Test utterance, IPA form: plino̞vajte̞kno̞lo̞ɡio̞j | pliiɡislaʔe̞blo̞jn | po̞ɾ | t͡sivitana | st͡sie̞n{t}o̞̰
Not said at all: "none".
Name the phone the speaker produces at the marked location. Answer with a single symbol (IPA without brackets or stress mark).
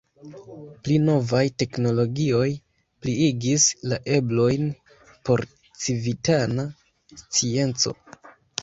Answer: t͡s